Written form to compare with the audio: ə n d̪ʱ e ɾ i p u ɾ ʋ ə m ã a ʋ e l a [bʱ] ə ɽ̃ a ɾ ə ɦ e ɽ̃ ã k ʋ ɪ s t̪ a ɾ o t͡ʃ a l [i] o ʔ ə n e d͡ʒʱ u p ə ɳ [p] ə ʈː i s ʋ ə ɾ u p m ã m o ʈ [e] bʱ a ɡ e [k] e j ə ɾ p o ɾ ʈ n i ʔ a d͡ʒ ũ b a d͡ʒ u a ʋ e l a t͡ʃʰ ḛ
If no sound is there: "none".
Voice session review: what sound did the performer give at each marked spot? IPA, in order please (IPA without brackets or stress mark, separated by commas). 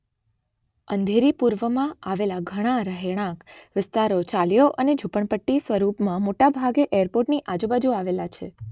ɡʱ, j, p, a, ʔ